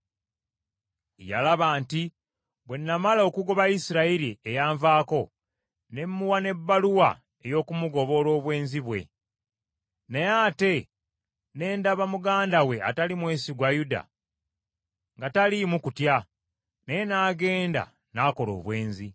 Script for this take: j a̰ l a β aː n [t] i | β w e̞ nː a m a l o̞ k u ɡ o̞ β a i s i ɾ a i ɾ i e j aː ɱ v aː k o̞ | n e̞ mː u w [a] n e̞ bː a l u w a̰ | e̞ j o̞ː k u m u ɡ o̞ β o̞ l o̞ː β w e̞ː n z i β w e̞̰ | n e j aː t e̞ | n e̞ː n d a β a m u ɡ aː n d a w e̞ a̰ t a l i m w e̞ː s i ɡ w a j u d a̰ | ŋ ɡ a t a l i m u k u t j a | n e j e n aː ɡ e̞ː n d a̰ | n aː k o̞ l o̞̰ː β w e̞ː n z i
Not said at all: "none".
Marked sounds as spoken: t, a

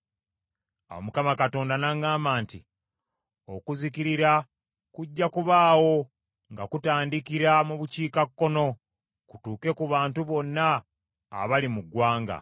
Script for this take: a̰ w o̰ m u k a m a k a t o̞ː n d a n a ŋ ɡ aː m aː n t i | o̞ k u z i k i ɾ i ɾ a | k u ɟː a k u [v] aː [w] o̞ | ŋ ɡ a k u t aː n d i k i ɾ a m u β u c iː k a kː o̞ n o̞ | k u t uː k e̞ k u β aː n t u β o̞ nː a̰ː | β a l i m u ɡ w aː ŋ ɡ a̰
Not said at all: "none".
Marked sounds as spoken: β, w

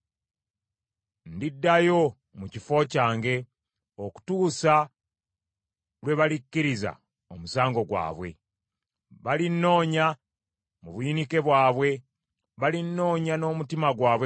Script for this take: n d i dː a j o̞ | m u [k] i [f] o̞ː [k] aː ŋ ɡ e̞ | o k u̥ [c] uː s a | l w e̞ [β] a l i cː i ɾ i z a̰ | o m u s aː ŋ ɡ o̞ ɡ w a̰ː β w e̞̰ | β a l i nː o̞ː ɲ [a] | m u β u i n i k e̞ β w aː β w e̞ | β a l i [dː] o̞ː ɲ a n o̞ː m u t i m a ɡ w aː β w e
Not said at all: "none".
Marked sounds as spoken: c, f, c, t, β, a, nː

